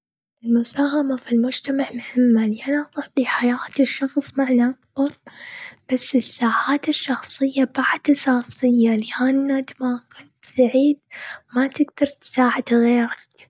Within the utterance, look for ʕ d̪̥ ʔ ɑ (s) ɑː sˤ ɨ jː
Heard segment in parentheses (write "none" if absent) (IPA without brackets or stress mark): s